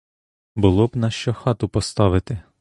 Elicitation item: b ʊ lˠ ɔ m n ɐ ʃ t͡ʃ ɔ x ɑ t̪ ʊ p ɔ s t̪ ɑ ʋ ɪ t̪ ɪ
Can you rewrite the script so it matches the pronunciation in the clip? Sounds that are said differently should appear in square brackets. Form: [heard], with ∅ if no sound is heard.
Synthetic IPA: b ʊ lˠ ɔ [b] n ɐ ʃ t͡ʃ ɔ x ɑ t̪ ʊ p ɔ s t̪ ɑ ʋ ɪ t̪ ɪ